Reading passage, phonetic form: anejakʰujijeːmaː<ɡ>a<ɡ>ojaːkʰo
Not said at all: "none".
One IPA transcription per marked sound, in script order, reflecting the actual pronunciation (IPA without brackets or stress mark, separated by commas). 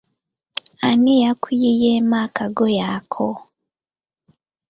k, ɡ